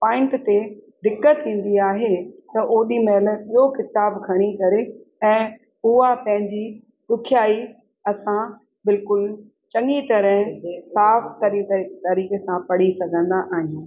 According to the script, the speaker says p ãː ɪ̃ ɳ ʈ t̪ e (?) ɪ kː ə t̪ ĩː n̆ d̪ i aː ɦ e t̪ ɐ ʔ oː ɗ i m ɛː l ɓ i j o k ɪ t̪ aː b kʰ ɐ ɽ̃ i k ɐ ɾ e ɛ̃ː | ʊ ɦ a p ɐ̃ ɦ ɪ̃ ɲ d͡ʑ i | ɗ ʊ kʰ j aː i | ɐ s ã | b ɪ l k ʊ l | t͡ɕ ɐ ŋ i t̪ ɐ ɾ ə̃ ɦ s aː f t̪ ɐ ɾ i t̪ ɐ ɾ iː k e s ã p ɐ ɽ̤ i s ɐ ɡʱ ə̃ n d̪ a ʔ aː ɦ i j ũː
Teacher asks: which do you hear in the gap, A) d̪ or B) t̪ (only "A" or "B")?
A